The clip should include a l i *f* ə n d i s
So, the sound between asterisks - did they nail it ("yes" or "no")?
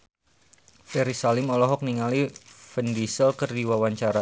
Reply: yes